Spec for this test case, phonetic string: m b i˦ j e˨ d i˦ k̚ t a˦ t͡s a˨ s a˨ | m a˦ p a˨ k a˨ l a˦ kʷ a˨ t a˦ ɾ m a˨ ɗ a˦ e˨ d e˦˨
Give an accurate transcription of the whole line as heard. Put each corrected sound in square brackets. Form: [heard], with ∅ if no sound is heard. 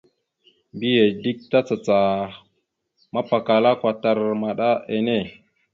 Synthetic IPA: m b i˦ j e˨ d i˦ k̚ t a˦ t͡s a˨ [t͡s] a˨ | m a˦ p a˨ k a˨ l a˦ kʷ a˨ t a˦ ɾ m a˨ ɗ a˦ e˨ [n] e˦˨

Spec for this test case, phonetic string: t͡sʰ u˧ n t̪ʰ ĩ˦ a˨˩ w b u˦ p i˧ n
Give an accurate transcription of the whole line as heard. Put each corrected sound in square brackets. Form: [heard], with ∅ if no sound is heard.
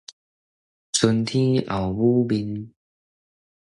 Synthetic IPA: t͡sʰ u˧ n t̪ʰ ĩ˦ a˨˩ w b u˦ [b] i˧ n

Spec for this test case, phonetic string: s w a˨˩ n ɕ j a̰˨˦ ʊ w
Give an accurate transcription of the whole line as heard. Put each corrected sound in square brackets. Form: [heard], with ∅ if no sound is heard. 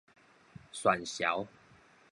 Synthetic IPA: s w a˨˩ n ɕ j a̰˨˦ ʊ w

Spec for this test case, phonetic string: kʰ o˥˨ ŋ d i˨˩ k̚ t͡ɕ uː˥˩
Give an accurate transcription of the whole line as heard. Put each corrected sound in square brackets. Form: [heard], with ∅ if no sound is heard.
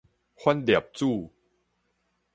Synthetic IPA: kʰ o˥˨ [n] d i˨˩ [p̚] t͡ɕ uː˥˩

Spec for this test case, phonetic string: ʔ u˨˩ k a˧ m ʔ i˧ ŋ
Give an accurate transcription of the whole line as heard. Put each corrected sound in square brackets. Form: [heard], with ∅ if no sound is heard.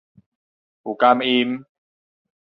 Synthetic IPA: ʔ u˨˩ k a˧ m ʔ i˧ [m]

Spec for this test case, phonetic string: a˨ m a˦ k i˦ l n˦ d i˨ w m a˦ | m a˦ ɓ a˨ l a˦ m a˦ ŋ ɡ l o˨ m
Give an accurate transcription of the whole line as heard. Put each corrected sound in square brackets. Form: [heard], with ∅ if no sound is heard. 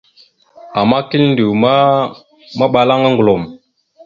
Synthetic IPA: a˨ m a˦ k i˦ l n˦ d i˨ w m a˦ | m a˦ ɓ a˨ l a˦ [ŋ] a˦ ŋ ɡ l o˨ m

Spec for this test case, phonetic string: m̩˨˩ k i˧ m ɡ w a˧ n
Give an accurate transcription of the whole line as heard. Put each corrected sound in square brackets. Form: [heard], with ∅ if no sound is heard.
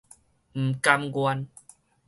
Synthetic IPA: m̩˨˩ k [a˧] m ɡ w a˧ n

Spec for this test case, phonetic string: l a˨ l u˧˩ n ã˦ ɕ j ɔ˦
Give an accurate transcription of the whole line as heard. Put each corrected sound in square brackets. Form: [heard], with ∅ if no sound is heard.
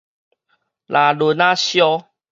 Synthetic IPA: l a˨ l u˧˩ n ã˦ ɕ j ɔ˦

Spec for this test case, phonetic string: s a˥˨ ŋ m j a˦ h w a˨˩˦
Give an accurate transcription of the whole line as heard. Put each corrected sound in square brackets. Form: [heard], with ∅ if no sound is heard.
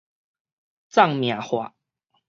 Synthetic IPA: [t͡s] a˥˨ ŋ m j [a˨˩] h w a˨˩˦

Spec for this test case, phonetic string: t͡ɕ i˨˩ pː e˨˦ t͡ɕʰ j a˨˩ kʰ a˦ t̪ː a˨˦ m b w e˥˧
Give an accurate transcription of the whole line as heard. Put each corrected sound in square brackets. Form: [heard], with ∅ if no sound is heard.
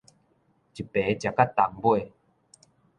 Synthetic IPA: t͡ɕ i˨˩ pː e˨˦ [t͡ɕ] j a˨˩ [k] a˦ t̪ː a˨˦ [ŋ] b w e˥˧

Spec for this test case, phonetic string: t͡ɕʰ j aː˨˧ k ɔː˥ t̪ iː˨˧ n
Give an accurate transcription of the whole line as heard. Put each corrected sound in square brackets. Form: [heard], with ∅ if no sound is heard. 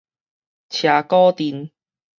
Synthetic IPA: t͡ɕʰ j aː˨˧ k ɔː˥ t̪ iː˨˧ n

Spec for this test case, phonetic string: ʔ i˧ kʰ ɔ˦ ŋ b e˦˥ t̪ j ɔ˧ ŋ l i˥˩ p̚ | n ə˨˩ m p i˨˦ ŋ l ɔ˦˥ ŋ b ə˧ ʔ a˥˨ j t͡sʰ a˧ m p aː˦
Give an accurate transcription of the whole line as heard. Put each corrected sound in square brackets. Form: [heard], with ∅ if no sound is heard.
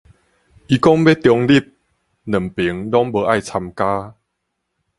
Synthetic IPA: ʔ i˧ [k] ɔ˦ ŋ b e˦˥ t̪ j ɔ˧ ŋ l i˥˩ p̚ | n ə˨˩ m p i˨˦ ŋ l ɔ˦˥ ŋ b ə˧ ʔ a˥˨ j t͡sʰ a˧ m [k] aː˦

